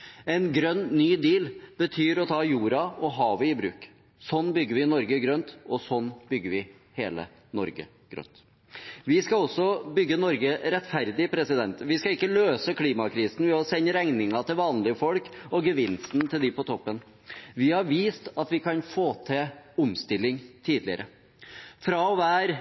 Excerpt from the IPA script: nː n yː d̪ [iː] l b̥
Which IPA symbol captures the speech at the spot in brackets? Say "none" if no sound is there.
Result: iː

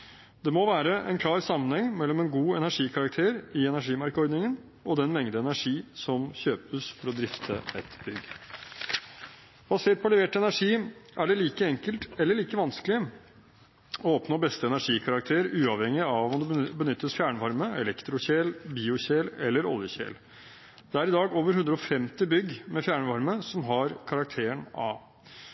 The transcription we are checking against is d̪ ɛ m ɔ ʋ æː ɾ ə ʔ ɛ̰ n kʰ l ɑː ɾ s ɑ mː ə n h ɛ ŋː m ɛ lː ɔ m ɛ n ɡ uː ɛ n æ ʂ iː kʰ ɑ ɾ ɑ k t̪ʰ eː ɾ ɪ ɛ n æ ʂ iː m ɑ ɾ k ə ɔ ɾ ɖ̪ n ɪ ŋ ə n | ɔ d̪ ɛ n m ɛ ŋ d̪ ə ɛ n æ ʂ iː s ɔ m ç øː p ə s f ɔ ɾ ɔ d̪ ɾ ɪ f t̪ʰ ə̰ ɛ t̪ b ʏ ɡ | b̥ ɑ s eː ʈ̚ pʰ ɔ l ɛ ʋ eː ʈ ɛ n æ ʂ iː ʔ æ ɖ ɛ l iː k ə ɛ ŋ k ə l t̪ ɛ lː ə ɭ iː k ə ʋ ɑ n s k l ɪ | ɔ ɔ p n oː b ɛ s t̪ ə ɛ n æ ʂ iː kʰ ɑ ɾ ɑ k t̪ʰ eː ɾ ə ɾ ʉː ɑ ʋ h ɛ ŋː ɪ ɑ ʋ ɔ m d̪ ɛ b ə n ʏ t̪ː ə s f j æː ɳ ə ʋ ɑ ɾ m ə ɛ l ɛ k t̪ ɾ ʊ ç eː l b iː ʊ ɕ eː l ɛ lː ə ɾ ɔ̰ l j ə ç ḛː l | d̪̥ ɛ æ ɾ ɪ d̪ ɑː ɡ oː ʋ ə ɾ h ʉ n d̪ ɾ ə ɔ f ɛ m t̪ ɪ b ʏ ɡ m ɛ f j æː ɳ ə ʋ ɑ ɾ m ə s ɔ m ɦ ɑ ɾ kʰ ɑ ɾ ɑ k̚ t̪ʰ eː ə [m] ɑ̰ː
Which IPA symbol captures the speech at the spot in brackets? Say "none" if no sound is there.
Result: ɳ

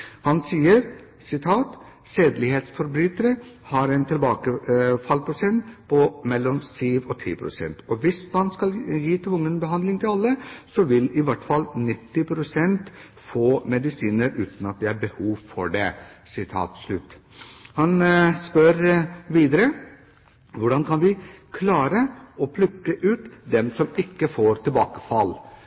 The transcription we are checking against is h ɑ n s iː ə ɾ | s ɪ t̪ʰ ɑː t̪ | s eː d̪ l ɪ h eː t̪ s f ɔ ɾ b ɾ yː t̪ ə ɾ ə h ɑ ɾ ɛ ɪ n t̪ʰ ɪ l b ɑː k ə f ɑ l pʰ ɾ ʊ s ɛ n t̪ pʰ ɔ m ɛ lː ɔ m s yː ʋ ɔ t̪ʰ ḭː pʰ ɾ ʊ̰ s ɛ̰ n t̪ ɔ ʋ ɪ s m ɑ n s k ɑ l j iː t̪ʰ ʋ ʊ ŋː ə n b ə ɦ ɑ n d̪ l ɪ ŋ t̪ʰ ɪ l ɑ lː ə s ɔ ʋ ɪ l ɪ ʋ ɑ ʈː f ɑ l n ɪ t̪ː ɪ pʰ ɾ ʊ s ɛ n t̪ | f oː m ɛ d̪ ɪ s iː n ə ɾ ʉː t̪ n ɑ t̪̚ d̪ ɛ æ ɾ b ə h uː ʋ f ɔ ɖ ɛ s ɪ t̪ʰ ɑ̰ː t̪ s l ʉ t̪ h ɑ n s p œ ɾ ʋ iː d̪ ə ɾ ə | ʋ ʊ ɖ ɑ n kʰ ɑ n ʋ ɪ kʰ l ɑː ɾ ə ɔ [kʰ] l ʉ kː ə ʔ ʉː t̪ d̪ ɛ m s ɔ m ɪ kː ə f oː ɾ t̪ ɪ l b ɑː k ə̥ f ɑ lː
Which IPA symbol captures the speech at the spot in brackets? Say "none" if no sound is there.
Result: pʰ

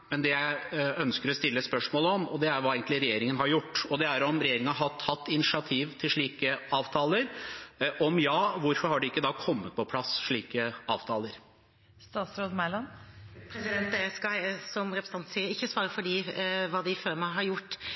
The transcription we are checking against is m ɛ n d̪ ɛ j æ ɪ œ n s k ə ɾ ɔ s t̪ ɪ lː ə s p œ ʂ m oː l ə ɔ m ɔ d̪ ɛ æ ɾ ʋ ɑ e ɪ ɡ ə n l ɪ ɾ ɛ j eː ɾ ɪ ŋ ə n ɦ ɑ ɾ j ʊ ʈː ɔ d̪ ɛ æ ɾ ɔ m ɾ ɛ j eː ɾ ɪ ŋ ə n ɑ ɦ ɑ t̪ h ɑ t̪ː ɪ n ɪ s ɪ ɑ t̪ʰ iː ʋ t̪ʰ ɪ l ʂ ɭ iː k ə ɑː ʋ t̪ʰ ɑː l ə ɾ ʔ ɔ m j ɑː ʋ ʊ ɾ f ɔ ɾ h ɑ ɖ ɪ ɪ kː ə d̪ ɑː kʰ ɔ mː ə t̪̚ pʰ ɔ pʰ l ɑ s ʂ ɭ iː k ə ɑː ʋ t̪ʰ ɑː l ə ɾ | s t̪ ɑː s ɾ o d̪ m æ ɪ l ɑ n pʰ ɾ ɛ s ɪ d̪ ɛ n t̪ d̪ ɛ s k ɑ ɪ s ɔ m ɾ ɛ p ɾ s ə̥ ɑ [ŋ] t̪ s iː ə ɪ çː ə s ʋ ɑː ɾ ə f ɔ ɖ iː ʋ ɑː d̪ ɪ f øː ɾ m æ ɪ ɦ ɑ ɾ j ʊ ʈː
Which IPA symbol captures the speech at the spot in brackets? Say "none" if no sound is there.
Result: n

